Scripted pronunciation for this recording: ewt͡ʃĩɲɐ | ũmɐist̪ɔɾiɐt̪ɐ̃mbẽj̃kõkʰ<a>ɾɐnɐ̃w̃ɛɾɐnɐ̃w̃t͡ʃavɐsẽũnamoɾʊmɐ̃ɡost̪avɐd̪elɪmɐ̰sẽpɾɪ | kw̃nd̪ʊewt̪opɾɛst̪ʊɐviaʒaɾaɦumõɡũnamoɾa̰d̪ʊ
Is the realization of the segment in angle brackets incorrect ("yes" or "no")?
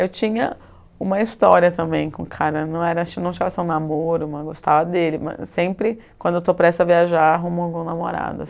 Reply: no